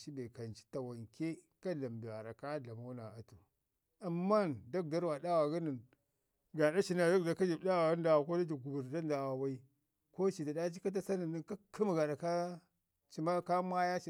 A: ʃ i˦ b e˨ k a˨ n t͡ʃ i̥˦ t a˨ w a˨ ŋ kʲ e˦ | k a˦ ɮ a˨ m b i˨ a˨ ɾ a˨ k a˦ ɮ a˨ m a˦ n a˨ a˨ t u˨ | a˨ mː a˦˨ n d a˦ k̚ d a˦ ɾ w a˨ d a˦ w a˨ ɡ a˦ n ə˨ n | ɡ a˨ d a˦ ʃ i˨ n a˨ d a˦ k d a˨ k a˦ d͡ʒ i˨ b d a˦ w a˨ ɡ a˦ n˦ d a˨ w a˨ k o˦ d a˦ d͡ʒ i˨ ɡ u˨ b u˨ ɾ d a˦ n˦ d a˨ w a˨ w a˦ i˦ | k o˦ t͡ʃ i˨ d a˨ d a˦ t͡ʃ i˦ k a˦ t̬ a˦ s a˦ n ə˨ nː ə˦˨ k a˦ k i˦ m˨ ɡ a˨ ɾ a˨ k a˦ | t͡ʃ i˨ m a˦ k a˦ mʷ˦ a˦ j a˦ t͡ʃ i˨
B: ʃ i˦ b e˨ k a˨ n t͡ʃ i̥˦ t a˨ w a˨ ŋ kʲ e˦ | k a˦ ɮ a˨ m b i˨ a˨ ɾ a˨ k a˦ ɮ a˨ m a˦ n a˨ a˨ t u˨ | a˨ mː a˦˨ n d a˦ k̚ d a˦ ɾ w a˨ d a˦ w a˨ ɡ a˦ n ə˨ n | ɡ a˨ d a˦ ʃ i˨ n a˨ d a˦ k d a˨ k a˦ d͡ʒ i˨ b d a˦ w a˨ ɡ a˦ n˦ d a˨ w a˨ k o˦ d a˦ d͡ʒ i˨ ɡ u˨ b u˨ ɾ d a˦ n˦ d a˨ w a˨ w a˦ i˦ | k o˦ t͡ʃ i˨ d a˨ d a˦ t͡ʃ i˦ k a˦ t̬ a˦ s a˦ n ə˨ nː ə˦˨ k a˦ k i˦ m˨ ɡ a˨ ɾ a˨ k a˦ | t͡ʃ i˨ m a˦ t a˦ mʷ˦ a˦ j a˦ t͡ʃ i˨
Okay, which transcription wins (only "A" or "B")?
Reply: A